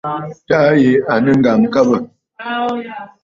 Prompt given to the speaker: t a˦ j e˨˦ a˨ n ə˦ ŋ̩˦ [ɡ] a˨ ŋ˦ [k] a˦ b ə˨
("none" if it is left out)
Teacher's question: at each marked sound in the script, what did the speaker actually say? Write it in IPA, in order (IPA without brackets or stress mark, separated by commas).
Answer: ɡ, k